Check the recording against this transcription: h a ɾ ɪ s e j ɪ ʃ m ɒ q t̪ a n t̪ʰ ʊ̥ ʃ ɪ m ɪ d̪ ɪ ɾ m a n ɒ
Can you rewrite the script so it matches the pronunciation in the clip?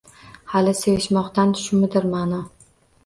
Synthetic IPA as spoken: h a l ɪ s e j ɪ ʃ m ɒ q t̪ a n t̪ʰ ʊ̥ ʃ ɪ m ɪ d̪ ɪ ɾ m a n ɒ